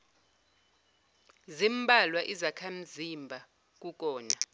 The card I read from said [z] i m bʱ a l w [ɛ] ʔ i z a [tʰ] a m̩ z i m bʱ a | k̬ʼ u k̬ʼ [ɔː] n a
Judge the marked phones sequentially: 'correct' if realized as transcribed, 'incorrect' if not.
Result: correct, incorrect: a, incorrect: kʰ, correct

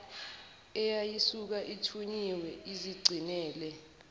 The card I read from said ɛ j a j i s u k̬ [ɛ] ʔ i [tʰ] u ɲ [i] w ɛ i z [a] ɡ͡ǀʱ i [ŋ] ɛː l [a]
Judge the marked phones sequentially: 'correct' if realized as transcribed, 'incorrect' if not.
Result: incorrect: a, correct, correct, incorrect: i, incorrect: n, incorrect: ɛ

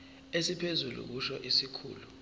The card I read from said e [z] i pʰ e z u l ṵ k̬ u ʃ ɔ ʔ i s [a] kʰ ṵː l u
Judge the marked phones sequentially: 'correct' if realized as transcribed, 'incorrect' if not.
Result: incorrect: s, incorrect: i

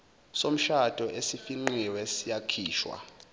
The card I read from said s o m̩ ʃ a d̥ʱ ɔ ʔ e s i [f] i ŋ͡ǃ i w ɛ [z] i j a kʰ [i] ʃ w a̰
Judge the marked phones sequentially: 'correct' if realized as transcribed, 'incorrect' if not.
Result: correct, incorrect: s, incorrect: iː

